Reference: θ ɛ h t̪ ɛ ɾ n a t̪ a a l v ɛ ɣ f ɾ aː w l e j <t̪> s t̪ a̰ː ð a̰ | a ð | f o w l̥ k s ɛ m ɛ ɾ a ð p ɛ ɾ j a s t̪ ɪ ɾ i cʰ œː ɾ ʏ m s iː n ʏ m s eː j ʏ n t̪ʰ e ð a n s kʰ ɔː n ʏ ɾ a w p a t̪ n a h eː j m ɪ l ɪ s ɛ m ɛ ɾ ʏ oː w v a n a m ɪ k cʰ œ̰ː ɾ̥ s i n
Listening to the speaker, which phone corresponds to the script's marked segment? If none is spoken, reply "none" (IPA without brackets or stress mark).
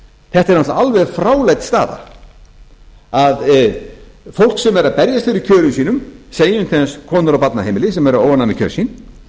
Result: t̪